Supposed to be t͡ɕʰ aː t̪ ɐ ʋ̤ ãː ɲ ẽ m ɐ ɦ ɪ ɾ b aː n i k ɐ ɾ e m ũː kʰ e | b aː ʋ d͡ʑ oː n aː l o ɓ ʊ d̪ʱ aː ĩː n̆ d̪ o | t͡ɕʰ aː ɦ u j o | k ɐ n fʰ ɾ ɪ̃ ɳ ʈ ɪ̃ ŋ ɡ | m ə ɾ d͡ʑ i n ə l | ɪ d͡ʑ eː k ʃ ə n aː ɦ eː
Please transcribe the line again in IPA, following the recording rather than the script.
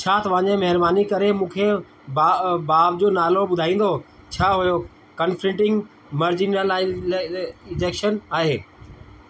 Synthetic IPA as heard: t͡ɕʰ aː t̪ ɐ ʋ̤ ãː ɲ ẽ m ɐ ɦ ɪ ɾ b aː n i k ɐ ɾ e m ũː kʰ e | b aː ʋ d͡ʑ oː n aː l o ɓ ʊ d̪ʱ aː ĩː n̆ d̪ o | t͡ɕʰ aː ɦ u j o | k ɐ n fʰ ɾ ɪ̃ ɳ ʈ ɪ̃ ŋ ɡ | m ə ɾ d͡ʑ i n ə l | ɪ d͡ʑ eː k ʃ ə n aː ɦ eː